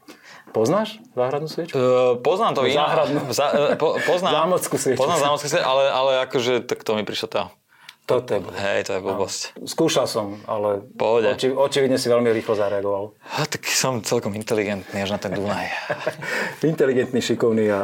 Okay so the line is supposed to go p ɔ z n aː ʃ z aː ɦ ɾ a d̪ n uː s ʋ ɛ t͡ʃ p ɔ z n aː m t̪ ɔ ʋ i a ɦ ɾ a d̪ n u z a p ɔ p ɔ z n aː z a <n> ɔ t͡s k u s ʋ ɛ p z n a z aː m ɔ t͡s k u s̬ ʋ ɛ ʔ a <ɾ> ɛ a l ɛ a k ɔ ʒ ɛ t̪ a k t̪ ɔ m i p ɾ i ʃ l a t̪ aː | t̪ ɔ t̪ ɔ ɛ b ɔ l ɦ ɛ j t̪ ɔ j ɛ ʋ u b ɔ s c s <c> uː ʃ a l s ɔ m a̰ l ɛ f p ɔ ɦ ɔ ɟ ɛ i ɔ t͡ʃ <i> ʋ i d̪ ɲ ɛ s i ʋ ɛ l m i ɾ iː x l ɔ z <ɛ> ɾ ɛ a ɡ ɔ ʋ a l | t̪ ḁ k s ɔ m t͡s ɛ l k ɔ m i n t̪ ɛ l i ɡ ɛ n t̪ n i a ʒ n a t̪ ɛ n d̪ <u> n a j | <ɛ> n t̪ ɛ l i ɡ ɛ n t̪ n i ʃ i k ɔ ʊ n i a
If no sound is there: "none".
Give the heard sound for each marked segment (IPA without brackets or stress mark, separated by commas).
m, l, k, i, a, u, i